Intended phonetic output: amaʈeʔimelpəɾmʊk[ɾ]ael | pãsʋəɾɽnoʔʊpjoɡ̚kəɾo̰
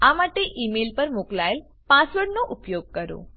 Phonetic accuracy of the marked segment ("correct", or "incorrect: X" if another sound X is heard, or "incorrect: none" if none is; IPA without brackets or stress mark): incorrect: l